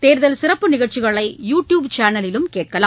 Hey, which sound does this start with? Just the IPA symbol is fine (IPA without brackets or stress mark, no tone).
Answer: t̪